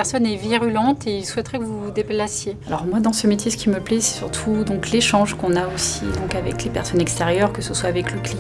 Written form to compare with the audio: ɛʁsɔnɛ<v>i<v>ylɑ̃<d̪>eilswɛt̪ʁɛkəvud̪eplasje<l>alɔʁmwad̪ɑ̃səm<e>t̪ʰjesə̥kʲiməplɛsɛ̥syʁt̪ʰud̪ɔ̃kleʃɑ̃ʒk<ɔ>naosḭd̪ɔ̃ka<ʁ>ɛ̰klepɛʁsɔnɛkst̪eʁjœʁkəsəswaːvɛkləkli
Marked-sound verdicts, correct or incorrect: correct, incorrect, incorrect, incorrect, correct, incorrect, incorrect

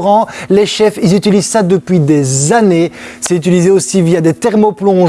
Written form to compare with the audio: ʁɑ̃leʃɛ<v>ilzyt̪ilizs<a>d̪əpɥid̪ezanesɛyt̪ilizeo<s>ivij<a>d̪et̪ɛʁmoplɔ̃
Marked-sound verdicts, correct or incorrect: incorrect, correct, correct, correct

